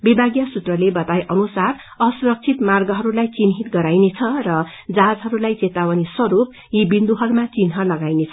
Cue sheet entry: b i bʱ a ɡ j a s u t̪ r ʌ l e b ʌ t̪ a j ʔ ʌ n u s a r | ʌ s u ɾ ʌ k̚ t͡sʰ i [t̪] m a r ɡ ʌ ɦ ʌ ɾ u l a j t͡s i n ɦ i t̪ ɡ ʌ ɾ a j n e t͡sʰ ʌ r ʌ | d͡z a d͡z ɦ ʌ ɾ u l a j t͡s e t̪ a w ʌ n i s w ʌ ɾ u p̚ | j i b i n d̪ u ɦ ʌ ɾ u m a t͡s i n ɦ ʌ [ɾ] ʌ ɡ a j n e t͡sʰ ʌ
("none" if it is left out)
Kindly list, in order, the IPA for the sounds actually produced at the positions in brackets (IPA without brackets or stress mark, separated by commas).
t̪, l